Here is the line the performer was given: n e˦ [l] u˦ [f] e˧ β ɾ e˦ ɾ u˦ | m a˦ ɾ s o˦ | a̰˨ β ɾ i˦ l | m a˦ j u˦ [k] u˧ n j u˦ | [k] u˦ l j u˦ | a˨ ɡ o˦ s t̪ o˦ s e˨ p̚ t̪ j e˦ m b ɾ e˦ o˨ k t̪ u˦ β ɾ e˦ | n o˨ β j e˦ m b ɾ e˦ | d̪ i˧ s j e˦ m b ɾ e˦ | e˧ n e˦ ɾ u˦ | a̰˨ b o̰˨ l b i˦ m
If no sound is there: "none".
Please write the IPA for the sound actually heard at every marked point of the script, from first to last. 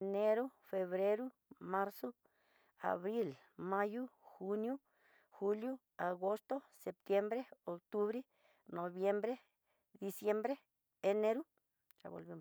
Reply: ɾ, f, x, x

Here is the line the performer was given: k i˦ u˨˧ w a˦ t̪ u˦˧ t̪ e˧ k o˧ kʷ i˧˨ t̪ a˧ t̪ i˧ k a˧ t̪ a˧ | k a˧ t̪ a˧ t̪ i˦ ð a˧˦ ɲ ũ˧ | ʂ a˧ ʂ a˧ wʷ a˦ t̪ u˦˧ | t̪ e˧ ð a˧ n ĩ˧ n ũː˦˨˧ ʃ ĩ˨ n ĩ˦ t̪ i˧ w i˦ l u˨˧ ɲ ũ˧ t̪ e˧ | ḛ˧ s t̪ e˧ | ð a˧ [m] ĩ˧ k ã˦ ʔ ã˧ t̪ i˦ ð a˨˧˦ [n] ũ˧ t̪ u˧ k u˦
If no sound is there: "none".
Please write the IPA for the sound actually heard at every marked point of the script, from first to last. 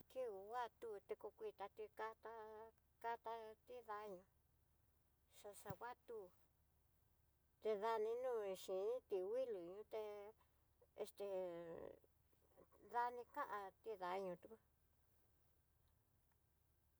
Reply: n, ɲ

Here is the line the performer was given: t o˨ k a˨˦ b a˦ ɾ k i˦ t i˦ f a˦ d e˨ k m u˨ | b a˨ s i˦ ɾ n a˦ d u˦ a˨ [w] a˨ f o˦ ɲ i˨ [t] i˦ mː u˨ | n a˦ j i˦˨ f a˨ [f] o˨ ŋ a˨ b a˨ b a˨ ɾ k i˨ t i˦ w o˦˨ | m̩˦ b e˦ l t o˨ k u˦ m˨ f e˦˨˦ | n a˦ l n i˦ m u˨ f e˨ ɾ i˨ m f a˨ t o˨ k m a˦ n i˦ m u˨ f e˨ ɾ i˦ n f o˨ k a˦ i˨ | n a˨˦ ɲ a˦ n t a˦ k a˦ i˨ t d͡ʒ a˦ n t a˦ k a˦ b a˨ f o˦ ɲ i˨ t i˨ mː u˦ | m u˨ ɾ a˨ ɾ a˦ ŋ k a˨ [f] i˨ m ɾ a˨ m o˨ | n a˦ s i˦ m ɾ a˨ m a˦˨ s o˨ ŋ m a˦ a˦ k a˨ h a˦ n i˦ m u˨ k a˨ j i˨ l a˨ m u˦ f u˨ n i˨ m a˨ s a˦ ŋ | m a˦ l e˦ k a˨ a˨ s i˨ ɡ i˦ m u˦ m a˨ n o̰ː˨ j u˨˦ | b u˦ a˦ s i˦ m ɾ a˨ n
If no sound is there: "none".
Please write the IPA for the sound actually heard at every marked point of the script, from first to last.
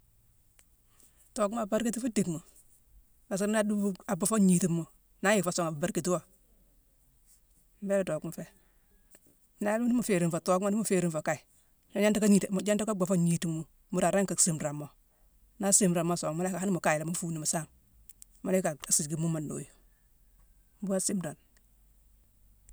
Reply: b, t, s, s

